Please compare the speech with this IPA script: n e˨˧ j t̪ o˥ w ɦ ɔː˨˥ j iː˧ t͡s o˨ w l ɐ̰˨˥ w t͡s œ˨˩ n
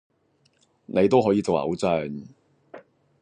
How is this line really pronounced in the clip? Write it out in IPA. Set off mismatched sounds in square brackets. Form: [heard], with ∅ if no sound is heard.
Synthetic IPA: n e˨˧ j t̪ o˥ w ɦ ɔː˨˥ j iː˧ t͡s o˨ w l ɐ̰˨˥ w t͡s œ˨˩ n